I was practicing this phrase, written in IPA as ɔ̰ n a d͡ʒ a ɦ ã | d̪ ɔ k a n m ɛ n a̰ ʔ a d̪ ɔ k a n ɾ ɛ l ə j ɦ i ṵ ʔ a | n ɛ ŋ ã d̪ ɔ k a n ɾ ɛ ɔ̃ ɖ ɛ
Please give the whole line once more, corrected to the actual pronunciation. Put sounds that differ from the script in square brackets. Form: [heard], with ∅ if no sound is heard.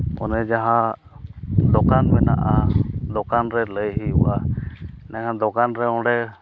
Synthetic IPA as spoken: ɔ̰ n [ɛ] d͡ʒ a ɦ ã | d̪ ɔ k a n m ɛ n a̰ ʔ a d̪ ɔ k a n ɾ ɛ l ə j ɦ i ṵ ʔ a | n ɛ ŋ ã d̪ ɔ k a n ɾ ɛ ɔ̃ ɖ ɛ